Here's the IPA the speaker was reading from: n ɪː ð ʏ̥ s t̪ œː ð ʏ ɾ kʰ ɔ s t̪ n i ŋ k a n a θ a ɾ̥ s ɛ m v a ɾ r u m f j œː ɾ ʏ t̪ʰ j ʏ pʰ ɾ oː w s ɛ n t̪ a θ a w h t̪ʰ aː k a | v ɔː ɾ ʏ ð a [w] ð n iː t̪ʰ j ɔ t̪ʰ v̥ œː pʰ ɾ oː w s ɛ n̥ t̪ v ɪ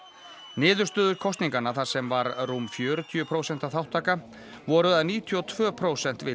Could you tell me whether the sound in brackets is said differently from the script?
yes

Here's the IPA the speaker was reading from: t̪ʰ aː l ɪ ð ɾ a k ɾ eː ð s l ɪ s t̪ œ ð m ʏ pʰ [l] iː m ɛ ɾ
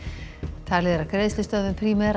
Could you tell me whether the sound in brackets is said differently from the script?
yes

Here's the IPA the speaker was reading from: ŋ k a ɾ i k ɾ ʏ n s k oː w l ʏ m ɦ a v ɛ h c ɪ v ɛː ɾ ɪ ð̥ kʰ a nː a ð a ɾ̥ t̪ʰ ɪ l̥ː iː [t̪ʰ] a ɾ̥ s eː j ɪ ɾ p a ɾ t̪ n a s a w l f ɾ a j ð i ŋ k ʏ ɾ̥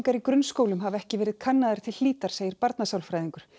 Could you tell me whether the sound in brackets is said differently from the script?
yes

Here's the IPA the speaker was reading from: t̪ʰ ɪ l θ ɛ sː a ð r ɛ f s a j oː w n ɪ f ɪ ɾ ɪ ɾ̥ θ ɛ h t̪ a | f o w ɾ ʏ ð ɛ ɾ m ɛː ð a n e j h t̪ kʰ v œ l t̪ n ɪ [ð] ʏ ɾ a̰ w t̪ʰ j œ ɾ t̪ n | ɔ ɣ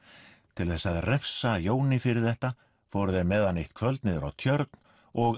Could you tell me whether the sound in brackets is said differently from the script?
no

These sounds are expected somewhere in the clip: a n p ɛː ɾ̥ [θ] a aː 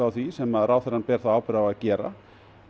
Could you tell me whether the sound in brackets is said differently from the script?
no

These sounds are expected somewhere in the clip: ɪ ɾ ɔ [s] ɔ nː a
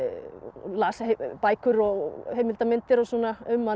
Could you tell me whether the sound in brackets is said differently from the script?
no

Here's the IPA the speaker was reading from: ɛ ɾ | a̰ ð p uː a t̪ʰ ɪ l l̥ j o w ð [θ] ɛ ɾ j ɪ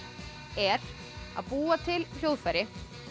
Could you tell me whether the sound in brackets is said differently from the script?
yes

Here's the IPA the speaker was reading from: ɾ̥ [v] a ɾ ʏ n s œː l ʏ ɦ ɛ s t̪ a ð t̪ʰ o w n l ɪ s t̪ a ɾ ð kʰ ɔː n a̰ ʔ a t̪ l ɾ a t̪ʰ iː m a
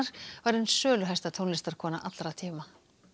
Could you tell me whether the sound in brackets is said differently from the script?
no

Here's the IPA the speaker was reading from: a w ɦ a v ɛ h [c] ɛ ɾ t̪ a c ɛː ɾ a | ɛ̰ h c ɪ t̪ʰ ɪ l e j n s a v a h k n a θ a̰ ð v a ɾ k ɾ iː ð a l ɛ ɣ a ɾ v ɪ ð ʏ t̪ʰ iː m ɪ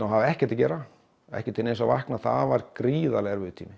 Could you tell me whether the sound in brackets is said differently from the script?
no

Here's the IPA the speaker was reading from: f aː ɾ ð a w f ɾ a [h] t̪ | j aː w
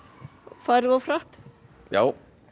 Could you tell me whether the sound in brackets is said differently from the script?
no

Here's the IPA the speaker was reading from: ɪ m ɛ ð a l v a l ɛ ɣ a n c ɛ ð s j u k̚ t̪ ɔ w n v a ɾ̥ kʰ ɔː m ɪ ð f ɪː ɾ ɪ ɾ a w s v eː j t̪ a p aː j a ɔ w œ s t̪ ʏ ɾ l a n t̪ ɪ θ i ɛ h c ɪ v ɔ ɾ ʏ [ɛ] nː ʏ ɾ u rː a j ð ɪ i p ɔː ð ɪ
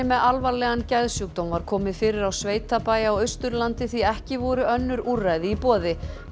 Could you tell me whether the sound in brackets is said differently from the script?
yes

